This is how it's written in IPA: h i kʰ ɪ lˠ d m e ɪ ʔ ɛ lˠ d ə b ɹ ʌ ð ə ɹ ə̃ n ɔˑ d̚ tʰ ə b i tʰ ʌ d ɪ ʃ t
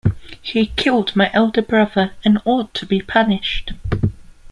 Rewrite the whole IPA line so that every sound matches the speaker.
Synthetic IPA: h i kʰ ɪ lˠ d m a ɪ ʔ ɛ lˠ d ə b ɹ ʌ ð ə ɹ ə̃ n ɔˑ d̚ tʰ ə b i pʰ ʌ n ɪ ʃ t